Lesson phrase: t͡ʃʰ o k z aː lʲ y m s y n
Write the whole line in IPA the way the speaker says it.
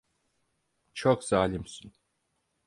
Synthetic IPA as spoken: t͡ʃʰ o k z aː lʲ i m s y n